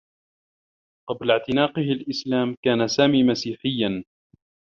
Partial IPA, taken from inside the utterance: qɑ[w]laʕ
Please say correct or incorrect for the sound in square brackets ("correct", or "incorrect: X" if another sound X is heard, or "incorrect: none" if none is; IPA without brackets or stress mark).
incorrect: b